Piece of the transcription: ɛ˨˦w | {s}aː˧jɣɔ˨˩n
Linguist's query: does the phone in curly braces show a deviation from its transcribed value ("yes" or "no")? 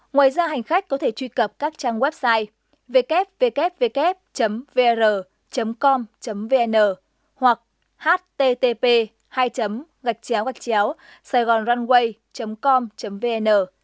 no